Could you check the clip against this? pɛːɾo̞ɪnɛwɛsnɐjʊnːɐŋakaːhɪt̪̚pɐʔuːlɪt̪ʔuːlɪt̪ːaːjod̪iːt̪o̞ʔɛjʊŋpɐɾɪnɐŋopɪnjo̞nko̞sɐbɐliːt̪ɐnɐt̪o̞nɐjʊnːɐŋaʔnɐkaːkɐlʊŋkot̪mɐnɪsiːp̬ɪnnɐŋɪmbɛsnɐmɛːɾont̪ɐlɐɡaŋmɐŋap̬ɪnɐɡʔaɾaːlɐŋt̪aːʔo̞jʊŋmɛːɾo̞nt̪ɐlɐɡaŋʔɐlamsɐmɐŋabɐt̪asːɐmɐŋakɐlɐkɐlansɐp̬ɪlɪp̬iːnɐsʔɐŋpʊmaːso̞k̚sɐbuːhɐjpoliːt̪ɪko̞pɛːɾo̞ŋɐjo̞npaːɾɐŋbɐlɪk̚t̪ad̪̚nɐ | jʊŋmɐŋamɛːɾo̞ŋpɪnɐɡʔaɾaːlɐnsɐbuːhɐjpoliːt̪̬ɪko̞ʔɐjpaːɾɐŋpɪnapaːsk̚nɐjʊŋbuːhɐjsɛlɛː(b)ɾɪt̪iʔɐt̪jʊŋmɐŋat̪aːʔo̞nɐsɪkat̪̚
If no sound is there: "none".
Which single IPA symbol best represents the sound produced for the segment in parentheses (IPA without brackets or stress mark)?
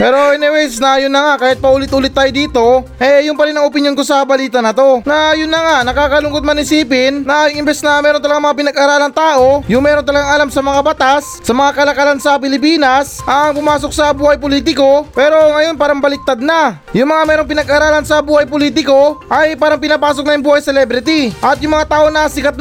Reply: b